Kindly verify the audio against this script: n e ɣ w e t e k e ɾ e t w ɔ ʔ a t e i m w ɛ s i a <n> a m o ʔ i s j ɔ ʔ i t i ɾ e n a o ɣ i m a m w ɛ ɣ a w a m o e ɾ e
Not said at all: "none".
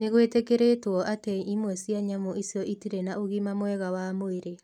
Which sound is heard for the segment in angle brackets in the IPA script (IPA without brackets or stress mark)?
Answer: ɲ